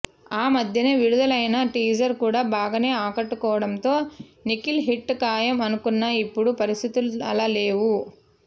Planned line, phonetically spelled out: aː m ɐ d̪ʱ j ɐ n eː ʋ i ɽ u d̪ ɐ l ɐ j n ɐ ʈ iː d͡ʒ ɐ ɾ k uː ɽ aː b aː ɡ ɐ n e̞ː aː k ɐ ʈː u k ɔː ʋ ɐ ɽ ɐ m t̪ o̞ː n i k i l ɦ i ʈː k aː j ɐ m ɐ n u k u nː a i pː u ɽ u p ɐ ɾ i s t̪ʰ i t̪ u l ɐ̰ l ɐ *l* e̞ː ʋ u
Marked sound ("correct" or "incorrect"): correct